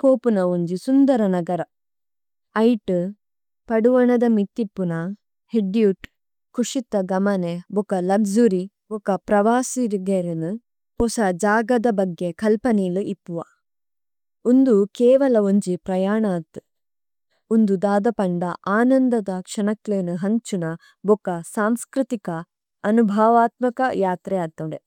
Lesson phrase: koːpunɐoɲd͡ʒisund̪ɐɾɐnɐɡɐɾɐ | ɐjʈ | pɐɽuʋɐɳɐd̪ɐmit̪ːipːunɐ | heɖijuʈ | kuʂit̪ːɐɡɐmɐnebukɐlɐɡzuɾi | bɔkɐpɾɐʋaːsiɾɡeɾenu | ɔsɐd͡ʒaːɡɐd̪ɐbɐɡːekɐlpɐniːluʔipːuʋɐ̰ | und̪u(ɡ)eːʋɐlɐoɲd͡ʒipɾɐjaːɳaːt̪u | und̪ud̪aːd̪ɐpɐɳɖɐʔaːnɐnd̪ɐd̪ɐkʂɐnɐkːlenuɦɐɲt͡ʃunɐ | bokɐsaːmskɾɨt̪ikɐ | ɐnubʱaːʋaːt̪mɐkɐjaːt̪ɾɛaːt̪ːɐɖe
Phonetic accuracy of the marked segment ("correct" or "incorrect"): incorrect